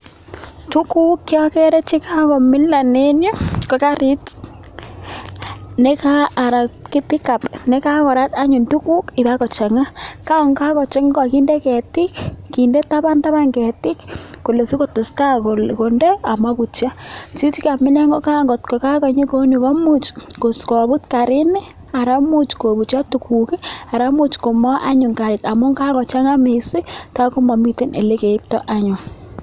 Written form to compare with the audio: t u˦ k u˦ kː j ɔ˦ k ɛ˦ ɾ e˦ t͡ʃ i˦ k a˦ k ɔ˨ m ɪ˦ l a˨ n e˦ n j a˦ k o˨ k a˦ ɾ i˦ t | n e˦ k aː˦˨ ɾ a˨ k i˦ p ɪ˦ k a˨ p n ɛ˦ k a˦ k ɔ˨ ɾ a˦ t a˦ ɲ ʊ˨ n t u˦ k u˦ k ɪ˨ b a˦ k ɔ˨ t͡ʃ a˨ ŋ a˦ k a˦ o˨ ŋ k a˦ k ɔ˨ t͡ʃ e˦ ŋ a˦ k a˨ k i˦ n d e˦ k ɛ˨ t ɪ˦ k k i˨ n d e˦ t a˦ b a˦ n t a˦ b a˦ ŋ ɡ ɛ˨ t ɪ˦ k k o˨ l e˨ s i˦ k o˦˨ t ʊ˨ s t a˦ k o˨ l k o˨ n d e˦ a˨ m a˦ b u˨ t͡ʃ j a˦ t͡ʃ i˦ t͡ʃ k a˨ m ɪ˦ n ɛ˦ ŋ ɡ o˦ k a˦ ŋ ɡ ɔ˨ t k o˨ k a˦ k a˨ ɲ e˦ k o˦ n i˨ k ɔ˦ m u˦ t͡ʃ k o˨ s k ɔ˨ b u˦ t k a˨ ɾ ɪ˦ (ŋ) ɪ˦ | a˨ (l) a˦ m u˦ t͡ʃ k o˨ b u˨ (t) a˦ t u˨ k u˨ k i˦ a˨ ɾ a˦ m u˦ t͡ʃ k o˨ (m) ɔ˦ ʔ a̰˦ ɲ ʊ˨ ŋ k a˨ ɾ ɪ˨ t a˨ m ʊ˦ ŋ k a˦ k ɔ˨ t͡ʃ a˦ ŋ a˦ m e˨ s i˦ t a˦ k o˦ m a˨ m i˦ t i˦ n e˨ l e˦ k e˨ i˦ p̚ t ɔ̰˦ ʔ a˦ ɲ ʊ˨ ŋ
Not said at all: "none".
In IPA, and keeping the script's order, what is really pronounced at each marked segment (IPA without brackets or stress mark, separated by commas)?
n, ɾ, t͡ʃ, m